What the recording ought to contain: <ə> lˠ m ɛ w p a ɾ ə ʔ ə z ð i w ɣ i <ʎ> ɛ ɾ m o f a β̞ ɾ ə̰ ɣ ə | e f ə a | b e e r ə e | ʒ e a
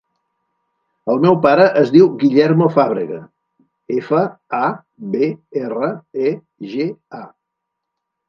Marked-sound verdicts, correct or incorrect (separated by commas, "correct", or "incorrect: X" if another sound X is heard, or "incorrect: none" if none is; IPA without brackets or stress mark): correct, correct